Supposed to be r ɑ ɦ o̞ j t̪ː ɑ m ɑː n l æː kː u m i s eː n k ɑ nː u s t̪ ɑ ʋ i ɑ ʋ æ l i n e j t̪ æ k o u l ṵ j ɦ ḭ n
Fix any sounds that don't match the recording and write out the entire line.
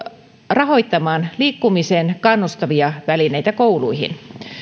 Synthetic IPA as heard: r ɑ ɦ o̞ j t̪ː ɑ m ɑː n l iː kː u m i s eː n k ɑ nː u s t̪ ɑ ʋ i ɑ ʋ æ l i n e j t̪ æ k o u l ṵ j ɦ ḭ n